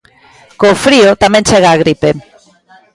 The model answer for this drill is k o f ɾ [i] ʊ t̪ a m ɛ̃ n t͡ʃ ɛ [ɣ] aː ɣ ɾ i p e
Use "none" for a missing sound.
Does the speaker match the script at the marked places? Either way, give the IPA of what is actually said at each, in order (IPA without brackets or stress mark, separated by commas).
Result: i, ɣ